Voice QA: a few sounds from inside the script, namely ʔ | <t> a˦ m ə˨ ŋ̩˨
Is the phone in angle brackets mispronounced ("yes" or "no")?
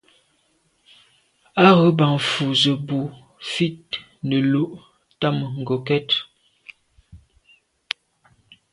no